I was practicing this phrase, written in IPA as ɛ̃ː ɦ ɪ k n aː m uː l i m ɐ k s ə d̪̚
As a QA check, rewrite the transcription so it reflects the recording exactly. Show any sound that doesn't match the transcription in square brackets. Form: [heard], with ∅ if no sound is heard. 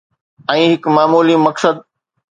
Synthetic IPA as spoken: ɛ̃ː ɦ ɪ k [m] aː m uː l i m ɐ k s ə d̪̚